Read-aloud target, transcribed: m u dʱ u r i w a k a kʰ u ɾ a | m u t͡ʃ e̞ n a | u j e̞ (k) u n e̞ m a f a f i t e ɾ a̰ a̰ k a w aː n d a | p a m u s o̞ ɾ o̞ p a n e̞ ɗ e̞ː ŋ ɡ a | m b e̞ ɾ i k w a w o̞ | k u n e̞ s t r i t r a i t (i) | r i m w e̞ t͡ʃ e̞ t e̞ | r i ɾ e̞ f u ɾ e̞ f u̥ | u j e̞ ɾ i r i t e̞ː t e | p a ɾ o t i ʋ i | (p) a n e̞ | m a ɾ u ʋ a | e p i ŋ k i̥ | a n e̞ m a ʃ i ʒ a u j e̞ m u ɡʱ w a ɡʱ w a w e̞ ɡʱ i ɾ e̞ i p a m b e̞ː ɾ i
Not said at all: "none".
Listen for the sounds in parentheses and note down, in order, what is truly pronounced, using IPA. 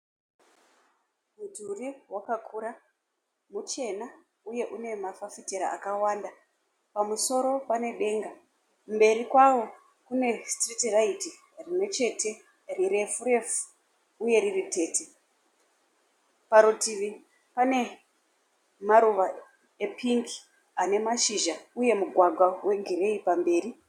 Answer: ʔ, i, p

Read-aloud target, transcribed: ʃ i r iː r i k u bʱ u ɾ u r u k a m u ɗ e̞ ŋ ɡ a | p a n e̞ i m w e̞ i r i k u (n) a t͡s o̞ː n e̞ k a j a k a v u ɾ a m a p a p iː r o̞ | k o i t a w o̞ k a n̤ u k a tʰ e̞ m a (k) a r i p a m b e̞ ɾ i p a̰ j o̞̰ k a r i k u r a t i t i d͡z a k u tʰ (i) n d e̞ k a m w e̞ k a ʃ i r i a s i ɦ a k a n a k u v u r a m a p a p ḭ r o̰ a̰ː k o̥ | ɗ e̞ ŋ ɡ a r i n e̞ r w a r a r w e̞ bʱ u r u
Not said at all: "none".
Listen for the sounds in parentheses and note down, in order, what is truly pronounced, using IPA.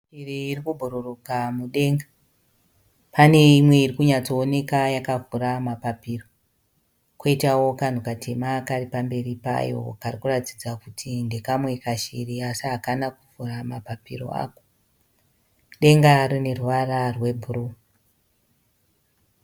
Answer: ɲ, k, i

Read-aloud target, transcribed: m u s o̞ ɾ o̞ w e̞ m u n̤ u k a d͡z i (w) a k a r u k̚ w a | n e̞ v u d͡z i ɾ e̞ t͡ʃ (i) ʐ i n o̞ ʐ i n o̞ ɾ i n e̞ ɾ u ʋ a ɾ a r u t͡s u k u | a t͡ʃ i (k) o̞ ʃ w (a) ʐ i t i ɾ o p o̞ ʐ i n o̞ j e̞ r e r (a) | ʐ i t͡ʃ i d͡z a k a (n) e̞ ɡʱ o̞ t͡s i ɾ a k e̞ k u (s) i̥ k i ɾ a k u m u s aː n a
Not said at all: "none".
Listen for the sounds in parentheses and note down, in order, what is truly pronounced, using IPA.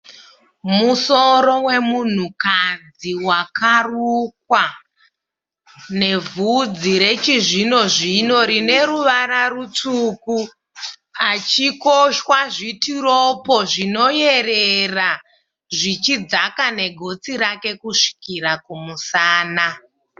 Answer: w, i, k, a, a, n, ʂ

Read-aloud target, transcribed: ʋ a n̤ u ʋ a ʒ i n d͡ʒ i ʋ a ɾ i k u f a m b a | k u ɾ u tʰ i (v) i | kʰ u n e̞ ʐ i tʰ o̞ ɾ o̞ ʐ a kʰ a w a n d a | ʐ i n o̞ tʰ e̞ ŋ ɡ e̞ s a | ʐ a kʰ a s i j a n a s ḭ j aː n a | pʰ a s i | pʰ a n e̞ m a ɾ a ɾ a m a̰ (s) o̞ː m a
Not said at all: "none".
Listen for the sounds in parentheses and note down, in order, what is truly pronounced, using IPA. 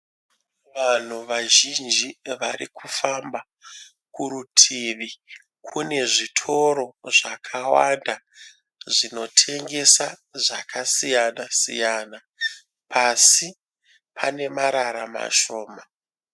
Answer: ʋ, ʃ

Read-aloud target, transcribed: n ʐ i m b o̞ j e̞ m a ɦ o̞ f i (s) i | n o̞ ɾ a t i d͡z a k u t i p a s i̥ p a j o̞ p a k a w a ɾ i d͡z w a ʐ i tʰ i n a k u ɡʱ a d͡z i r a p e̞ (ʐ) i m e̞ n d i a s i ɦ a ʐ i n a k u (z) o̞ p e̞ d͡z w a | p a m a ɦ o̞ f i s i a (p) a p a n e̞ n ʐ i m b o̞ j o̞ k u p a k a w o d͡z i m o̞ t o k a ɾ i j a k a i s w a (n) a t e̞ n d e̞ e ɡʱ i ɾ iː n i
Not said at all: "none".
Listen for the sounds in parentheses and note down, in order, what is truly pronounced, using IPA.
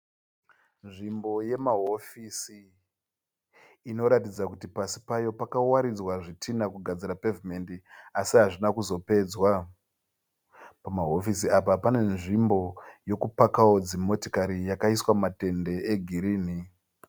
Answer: s, v, z, p, m

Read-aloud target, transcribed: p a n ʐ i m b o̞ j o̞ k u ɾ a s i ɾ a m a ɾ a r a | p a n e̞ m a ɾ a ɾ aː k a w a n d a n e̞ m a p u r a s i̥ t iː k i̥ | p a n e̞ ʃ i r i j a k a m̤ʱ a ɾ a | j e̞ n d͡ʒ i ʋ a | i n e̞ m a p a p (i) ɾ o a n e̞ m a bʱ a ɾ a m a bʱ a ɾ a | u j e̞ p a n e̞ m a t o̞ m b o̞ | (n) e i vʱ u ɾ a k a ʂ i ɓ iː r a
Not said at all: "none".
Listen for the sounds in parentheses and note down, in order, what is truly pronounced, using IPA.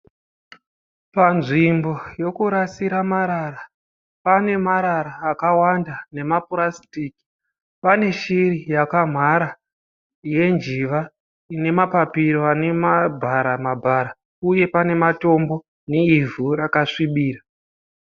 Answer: i, n

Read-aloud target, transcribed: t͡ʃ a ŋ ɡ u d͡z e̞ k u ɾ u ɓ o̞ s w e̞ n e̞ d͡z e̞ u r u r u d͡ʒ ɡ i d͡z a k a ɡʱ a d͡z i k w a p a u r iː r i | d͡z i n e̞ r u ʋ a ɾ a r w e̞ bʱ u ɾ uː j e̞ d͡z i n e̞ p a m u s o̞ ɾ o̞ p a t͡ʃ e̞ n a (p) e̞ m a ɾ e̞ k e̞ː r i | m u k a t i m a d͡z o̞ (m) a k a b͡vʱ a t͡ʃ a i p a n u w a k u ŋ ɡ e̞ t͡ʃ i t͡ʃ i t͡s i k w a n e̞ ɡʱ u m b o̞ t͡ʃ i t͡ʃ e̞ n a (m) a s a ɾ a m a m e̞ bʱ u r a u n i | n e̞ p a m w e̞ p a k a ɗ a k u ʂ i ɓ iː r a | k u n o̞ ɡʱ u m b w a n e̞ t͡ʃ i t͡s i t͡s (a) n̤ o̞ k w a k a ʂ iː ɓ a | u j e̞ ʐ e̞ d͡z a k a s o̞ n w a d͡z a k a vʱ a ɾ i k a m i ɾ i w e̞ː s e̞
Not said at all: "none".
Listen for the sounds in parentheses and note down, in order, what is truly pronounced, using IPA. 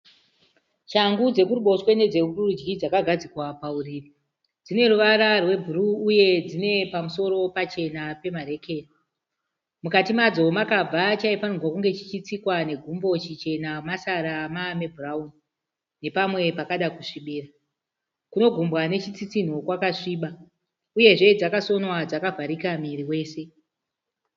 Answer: p, m, m, i

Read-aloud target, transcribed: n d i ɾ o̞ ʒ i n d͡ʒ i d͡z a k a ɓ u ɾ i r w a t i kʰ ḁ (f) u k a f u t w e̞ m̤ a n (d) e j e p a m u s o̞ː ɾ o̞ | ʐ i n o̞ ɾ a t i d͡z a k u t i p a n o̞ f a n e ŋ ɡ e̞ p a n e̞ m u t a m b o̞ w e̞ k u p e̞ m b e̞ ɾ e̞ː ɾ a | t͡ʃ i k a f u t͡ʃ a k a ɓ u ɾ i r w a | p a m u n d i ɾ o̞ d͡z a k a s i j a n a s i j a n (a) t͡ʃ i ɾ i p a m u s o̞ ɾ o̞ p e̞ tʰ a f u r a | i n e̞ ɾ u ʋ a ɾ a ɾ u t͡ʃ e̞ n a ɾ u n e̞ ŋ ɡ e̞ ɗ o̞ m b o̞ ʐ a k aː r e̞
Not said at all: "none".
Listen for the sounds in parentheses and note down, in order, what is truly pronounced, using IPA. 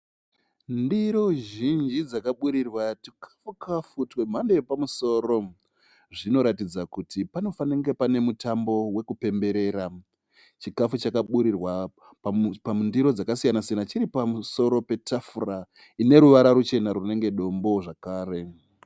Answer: f, d, a

